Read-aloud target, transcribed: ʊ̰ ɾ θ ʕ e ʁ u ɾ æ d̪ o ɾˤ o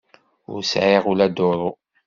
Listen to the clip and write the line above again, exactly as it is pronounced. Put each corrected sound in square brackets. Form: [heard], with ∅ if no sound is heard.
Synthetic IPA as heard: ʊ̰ ɾ [s] ʕ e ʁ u [l] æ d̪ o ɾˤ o